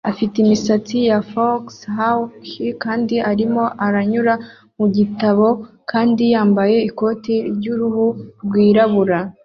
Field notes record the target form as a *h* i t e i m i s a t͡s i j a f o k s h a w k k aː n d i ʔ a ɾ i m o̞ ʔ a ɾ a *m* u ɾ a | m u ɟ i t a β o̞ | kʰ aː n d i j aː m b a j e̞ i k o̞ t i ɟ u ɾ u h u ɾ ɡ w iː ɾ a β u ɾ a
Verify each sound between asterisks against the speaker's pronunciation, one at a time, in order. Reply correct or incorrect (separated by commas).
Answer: incorrect, incorrect